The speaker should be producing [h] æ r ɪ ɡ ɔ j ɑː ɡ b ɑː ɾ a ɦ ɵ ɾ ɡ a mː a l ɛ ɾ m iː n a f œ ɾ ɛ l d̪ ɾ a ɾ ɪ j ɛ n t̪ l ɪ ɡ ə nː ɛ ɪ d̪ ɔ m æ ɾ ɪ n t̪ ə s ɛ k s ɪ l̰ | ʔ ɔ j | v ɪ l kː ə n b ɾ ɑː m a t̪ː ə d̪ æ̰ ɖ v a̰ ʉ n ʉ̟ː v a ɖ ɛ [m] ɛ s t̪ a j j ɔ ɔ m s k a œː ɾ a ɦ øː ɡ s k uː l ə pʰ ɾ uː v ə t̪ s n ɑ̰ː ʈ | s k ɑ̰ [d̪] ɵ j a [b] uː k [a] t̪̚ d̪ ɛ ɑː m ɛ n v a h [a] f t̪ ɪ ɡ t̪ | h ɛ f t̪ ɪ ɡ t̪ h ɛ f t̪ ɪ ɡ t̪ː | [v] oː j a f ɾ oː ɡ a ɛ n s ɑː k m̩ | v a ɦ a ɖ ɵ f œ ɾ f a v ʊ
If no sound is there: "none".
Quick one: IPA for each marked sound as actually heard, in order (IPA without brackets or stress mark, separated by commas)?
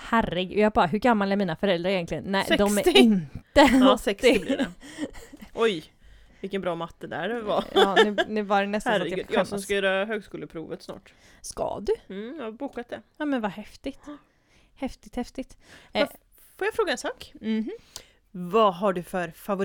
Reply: h, n, d̪, b, a, ɛ, f